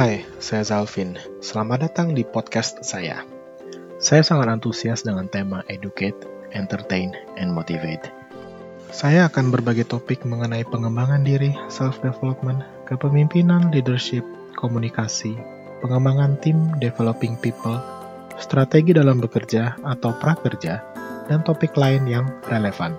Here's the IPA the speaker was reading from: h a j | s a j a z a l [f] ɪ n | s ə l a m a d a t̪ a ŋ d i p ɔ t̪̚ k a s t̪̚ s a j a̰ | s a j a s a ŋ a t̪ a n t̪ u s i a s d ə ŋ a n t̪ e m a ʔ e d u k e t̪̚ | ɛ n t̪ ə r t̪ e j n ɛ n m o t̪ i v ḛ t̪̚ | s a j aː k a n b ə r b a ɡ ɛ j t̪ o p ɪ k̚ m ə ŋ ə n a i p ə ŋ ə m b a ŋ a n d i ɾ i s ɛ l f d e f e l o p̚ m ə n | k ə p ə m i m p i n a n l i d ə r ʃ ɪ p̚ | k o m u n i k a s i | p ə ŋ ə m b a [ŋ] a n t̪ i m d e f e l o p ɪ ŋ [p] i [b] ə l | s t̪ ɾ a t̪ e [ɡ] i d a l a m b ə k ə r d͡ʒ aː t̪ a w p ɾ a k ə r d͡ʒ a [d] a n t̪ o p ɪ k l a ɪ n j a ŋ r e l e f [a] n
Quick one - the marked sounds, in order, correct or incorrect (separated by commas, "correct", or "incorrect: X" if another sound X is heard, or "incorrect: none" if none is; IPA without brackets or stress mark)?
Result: correct, correct, correct, incorrect: p, correct, correct, correct